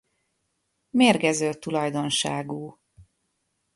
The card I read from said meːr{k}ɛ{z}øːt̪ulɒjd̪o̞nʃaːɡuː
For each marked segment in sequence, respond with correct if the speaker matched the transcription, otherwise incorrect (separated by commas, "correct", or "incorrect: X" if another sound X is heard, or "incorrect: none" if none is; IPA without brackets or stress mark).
incorrect: ɡ, correct